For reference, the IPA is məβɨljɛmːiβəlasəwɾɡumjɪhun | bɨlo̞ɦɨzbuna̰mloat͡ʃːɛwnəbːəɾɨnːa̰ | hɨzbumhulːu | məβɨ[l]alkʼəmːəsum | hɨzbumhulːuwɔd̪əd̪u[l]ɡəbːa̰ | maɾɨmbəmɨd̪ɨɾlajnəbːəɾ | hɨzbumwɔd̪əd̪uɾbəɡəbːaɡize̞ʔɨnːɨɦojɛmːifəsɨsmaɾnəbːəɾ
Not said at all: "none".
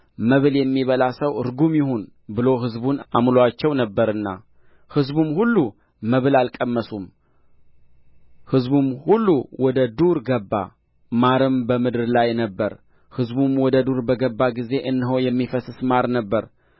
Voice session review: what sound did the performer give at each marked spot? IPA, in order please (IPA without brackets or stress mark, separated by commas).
l, ɾ